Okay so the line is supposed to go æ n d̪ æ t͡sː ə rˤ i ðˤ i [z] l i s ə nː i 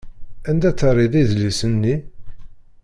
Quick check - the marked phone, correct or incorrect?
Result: incorrect: ð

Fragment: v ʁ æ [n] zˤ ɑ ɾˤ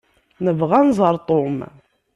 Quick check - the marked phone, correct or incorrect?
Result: correct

